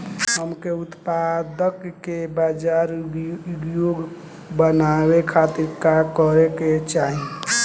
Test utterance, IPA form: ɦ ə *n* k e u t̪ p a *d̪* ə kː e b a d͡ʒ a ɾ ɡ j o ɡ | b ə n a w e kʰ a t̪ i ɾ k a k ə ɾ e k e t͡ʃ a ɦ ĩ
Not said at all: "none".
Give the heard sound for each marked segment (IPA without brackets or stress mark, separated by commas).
m, d̪